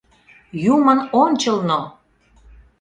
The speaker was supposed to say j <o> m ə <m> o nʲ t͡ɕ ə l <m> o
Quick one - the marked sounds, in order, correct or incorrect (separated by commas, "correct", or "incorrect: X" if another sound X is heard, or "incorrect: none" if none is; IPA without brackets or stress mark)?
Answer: incorrect: u, incorrect: n, incorrect: n